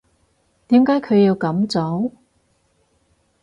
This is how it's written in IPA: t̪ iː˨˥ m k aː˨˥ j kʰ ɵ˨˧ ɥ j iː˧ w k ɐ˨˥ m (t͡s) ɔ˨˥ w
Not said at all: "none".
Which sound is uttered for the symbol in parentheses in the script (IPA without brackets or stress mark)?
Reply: t͡s